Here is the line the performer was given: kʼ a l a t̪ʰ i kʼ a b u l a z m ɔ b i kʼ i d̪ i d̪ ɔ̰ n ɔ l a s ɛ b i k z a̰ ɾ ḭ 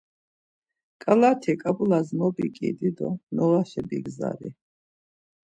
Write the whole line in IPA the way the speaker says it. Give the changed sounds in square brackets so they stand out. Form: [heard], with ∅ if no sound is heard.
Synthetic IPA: kʼ a l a t̪ʰ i kʼ a b u l a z m ɔ b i kʼ i d̪ i d̪ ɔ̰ n ɔ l a [ʃ] ɛ b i [ɡ] z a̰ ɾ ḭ